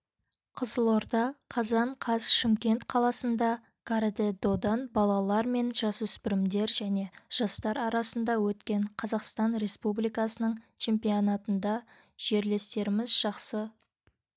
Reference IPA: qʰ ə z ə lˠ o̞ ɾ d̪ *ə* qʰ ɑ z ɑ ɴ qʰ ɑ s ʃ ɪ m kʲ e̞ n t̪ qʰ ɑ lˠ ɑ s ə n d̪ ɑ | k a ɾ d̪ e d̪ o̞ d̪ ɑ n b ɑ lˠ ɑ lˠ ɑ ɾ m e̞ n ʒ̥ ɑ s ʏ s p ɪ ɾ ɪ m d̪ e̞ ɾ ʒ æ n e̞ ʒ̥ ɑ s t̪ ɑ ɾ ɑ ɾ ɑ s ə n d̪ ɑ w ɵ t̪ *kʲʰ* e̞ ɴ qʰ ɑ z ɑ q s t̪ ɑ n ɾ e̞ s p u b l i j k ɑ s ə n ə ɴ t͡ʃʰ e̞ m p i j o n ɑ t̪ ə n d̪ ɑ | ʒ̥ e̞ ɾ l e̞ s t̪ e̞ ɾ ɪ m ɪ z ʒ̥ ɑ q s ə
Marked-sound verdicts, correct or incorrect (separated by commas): incorrect, incorrect